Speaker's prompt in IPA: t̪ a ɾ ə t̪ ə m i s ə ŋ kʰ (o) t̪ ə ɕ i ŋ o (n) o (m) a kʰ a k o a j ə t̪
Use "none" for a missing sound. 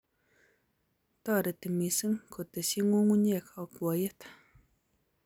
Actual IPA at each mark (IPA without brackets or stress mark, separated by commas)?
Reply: o, ŋ, ɲ